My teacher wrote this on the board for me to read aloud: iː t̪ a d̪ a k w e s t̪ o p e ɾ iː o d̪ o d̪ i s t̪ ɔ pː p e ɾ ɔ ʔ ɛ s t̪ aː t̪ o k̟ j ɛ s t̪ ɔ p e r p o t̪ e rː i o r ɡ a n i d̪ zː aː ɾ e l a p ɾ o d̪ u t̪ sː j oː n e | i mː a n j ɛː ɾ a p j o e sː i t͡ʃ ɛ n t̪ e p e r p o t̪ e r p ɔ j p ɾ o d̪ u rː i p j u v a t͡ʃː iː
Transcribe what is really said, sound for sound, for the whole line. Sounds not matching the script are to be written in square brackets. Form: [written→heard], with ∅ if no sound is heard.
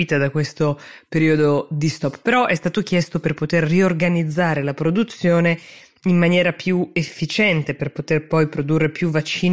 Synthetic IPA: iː t̪ a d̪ a k w e s t̪ o p e ɾ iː o d̪ o d̪ i s t̪ ɔ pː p e ɾ ɔ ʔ ɛ s t̪ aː t̪ o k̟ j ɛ s t̪ [ɔ→o] p e r p o t̪ e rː i o r ɡ a n i d̪ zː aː ɾ e l a p ɾ o d̪ u t̪ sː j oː n e | i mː a n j ɛː ɾ a p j [o→u] e [sː→fː] i t͡ʃ ɛ n t̪ e p e r p o t̪ e r p ɔ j p ɾ o d̪ u rː [i→e] p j u v a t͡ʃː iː